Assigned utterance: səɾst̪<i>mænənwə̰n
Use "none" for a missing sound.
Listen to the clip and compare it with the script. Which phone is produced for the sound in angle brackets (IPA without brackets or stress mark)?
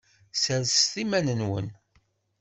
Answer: i